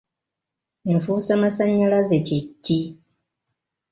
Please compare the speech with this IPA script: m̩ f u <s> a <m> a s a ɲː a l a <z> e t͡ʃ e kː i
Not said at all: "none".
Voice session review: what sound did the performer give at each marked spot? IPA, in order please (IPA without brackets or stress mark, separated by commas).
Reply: s, m, z